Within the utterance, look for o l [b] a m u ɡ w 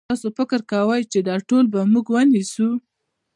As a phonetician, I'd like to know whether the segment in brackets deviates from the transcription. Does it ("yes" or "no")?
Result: no